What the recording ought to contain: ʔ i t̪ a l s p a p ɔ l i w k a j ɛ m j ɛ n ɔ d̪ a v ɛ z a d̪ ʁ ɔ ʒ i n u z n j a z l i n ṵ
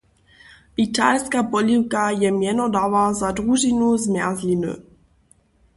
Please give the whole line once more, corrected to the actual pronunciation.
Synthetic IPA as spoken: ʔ i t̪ a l s k a p ɔ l i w k a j ɛ m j ɛ n ɔ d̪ a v a z a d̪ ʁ u ʒ i n u z m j a z l i n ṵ